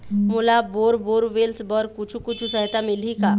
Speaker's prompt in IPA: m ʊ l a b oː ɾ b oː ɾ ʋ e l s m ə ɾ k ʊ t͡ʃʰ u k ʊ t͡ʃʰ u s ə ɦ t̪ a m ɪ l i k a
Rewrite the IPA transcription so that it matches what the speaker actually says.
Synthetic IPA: m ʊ l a b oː ɾ b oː ɾ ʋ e l s b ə ɾ k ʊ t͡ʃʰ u k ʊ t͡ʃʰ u s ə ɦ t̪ a m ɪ l i k a